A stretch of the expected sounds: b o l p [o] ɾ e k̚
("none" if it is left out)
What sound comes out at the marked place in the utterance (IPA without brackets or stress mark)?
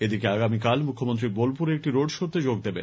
u